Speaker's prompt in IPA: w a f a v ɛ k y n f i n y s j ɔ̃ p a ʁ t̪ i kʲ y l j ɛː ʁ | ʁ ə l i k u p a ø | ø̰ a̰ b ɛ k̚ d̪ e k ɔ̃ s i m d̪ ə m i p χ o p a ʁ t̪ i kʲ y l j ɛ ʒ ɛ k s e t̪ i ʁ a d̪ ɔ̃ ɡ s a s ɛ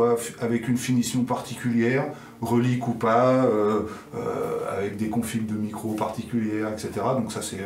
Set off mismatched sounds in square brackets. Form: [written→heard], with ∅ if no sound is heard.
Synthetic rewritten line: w a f a v ɛ k y n f i n [y→i] s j ɔ̃ p a ʁ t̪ i kʲ y l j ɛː ʁ | ʁ ə l i k u p a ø | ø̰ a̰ [b→v] ɛ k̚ d̪ e k ɔ̃ [s→f] i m d̪ ə m i [p→k] χ o p a ʁ t̪ i kʲ y l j ɛ [ʒ→ʁ] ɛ k s e t̪ [i→e] ʁ a d̪ ɔ̃ [ɡ→k] s a s ɛ